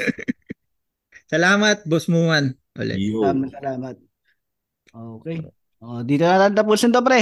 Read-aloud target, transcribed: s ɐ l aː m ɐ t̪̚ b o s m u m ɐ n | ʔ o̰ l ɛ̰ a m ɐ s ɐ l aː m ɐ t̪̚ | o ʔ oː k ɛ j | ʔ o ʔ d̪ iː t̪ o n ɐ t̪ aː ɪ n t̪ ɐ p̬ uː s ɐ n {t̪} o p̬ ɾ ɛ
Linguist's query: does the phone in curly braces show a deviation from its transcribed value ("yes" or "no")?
no